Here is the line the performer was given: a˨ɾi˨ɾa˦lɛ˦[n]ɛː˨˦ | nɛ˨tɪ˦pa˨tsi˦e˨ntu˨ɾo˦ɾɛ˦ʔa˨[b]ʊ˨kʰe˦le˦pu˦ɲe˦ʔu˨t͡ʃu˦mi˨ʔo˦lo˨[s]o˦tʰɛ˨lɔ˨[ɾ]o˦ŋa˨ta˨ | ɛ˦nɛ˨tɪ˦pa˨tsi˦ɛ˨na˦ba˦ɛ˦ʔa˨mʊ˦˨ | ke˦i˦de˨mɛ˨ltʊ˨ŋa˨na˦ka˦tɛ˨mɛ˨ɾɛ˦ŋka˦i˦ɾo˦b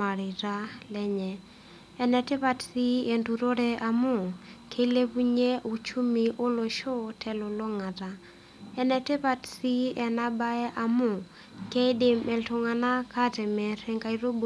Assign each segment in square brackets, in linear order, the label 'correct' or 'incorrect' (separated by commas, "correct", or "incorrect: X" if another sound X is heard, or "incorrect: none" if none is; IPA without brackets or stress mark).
incorrect: ɲ, incorrect: m, incorrect: ʃ, incorrect: l